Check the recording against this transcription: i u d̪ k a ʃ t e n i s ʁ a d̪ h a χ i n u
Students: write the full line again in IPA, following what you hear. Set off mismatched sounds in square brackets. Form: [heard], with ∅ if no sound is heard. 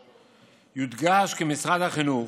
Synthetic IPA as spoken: [j] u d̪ [ɡ] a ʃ [k] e [m] i s ʁ a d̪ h a χ i n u